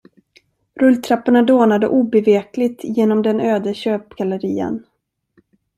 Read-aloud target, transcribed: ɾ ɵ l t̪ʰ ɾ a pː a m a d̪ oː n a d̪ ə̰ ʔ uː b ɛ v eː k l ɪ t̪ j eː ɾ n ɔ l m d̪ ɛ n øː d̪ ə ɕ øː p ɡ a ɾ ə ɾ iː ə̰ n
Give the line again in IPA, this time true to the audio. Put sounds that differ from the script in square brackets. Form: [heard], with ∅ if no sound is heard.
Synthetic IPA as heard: ɾ ɵ l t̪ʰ ɾ a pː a [ɳ] a d̪ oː n a d̪ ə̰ ʔ uː b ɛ v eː k l ɪ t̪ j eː [∅] n ɔ [∅] m d̪ ɛ n øː d̪ ə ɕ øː p ɡ a [l] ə ɾ iː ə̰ n